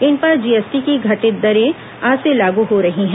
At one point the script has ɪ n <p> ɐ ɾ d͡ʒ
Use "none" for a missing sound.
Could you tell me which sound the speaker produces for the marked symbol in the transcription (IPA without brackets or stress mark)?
p